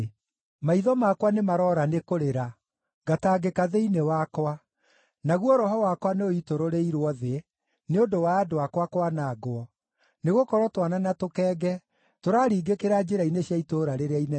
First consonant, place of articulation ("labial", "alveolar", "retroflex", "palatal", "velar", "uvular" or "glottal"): labial